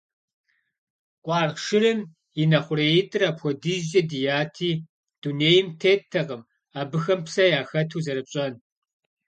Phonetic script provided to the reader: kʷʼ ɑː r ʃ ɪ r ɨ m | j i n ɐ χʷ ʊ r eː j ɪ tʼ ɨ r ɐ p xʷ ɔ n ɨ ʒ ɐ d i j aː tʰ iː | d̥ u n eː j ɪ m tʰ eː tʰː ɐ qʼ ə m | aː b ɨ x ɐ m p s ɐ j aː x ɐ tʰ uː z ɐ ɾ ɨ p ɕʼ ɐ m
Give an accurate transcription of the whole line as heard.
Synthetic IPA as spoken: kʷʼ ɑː r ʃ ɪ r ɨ m | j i n ɐ χʷ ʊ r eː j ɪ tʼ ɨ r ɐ p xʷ ɔ d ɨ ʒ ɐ d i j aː tʰ iː | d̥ u n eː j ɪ m tʰ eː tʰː ɐ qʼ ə m | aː b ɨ x ɐ m p s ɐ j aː x ɐ tʰ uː z ɐ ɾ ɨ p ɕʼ ɐ n